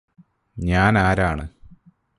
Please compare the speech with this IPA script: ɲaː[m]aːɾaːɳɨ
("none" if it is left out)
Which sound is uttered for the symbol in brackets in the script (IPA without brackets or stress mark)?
n